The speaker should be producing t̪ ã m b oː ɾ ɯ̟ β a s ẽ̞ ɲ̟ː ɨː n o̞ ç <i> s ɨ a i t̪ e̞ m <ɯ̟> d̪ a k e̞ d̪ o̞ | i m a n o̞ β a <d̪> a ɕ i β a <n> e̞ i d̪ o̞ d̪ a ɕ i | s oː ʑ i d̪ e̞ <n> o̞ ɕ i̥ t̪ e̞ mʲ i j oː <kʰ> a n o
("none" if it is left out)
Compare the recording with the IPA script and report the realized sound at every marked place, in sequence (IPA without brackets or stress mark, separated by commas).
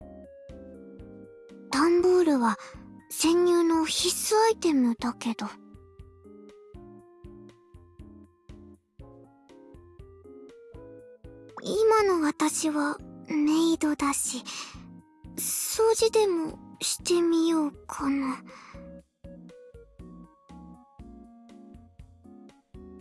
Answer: i, ɯ̟, t̪, m, m, kʰ